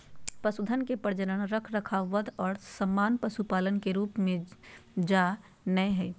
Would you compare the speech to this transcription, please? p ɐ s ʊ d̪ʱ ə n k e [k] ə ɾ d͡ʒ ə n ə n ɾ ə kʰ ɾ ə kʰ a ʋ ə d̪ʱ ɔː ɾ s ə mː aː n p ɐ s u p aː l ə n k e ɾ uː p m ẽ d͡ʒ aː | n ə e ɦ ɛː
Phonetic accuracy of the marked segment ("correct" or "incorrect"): incorrect